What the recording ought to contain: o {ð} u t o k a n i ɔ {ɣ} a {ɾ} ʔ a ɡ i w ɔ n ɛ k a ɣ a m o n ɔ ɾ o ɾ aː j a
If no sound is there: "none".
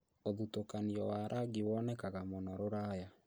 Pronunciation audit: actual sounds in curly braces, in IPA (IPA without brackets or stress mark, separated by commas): ð, w, ɾ